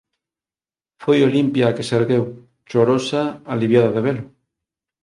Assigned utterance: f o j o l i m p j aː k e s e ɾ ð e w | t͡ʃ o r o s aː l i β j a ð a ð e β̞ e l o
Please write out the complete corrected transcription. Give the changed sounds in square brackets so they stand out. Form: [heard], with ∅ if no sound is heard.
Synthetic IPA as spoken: f o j o l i m p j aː k e s e ɾ [ɣ] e w | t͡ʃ o [ɾ] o s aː l i β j a ð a ð e β̞ e l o